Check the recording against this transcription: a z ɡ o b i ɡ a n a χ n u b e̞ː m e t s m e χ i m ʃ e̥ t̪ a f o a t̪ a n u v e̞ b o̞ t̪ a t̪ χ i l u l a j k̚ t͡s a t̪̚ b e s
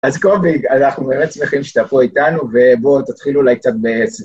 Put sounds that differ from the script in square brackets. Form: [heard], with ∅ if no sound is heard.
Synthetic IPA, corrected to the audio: a z [k] o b i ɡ a n a χ n u b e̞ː m e t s m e χ i m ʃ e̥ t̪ a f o [i] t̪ a n u v e̞ b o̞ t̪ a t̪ χ i l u l a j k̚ t͡s a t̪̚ b e s